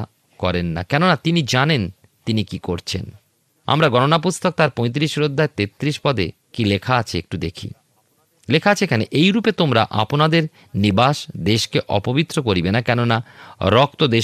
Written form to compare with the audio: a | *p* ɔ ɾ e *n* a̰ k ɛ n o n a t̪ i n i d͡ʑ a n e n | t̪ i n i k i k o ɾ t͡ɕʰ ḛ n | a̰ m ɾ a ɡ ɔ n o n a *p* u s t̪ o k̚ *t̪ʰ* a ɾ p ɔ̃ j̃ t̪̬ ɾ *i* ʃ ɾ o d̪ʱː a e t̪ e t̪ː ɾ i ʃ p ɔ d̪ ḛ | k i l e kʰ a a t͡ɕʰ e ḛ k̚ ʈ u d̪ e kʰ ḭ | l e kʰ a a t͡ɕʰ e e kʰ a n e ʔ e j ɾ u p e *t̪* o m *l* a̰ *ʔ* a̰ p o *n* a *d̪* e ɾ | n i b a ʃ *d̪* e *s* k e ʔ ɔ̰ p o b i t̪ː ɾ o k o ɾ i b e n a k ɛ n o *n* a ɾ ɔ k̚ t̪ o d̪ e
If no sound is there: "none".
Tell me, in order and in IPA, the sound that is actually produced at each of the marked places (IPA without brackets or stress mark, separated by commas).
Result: k, nː, p, t̪, i, t̪, ɾ, ʔ, n, d̪, d̪, ʃ, n